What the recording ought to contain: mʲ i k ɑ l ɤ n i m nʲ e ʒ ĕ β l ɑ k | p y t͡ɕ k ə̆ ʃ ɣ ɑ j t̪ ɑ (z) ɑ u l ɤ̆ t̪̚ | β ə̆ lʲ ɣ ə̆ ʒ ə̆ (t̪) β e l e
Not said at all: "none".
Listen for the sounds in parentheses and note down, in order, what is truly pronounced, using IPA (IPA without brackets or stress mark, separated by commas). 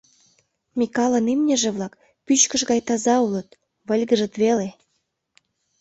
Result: z, t̪